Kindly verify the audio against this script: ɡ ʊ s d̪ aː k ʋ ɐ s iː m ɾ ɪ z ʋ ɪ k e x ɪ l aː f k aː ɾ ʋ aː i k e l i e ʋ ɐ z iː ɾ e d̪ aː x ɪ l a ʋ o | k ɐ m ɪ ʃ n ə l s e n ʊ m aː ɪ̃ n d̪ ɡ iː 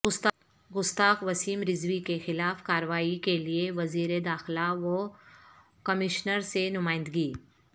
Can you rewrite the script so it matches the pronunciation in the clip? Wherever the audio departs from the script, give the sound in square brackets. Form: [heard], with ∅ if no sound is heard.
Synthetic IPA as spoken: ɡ ʊ s [t̪] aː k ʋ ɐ s iː m ɾ ɪ z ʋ [i] k e x ɪ l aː f k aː ɾ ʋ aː i k e l i e ʋ ɐ z iː ɾ e d̪ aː x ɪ l a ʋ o | k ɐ m ɪ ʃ n ə [ɾ] s e n ʊ m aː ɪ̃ n d̪ ɡ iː